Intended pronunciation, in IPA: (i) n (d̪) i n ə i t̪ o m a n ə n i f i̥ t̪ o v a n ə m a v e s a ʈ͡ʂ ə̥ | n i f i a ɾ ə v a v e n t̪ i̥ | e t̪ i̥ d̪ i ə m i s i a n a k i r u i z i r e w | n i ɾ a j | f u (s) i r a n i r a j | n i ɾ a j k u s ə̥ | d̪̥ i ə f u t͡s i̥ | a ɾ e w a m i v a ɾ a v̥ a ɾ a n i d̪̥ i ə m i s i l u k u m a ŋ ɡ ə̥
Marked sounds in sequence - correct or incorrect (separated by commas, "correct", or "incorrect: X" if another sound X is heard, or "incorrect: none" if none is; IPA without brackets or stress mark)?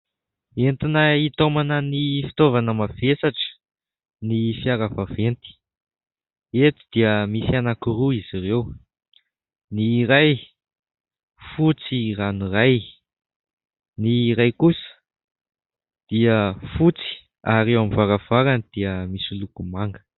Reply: incorrect: e, incorrect: t̪, incorrect: t͡s